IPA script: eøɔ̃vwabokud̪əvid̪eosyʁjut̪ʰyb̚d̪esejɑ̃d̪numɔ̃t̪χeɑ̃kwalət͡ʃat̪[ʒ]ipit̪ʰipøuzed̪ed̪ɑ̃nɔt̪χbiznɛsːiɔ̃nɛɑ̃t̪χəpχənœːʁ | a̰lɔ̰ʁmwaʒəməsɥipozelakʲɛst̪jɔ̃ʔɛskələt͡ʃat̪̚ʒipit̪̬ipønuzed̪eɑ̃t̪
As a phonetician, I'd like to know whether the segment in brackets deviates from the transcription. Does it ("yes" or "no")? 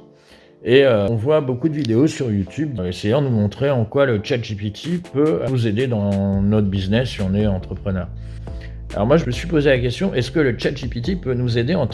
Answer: no